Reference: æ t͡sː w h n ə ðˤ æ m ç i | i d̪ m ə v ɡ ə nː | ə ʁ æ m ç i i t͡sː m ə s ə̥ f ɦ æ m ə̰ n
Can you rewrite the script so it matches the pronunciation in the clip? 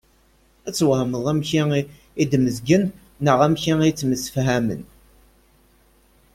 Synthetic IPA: æ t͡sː w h m ə ðˤ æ m ç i | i d̪ m ə z ɡ ə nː | ə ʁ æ m ç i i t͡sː m ə s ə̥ f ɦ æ m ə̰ n